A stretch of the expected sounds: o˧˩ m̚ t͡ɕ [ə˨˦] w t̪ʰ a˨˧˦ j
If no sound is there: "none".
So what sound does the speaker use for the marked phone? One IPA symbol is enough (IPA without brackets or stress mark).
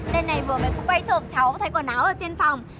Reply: a˨˦